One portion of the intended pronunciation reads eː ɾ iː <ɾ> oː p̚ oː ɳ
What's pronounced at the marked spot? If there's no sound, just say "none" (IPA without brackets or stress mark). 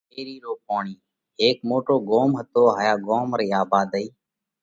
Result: ɾ